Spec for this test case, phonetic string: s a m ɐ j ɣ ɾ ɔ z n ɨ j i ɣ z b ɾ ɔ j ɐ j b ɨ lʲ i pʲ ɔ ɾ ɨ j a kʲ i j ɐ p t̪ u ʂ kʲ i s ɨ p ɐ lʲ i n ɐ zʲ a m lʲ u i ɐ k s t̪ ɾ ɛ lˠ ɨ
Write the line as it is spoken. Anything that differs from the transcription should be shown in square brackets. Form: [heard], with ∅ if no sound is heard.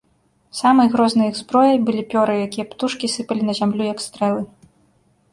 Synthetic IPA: s a m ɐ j ɣ ɾ ɔ z n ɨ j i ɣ z b ɾ ɔ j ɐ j b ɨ lʲ i pʲ ɔ ɾ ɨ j a kʲ i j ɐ p t̪ u ʂ kʲ i s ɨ p ɐ lʲ i n ɐ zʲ a m lʲ u [j] ɐ k s t̪ ɾ ɛ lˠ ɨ